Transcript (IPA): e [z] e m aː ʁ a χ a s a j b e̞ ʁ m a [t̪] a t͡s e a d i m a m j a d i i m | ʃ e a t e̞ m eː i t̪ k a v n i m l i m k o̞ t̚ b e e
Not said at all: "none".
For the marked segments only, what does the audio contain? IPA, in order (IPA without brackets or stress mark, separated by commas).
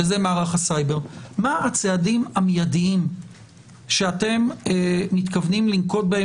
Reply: z, none